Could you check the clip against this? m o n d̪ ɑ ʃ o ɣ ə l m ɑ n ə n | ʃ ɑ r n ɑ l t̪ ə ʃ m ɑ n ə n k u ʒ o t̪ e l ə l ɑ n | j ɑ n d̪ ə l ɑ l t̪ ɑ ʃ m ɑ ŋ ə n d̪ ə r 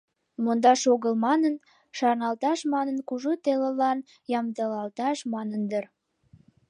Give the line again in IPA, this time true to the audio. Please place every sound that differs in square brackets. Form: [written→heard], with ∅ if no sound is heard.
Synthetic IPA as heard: m o n d̪ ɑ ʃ o ɣ ə l m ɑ n ə n | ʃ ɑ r n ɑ l t̪ [ə→ɑ] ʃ m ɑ n ə n k u ʒ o t̪ e l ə l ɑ n | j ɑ [n→m] d̪ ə l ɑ l t̪ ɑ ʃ m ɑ [ŋ→n] ə n d̪ ə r